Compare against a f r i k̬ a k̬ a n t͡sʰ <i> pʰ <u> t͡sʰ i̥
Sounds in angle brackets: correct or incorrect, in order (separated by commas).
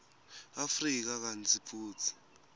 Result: correct, incorrect